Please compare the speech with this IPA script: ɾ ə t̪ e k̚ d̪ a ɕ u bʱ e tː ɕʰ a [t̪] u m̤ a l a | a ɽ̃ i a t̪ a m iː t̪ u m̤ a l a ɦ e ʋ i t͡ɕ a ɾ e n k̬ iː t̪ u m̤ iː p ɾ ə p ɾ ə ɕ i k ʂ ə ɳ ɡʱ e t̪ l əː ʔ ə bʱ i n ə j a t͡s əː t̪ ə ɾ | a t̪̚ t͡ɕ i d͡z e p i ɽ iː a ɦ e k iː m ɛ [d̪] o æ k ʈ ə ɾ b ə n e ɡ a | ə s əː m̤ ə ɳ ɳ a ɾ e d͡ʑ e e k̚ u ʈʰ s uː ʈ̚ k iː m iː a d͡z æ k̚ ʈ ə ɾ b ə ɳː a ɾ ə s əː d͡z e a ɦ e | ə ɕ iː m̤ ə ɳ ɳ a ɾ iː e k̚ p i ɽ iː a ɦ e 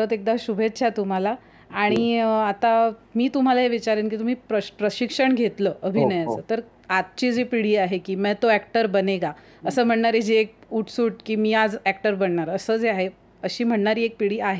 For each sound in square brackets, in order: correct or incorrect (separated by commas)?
correct, incorrect